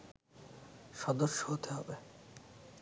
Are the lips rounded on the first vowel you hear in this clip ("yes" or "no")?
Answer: yes